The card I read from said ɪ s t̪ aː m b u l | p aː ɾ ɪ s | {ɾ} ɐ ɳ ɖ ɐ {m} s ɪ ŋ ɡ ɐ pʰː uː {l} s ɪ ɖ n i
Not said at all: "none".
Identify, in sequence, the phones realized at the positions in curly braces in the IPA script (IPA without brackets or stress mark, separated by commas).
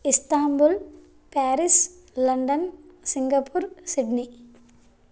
l, n, ɾ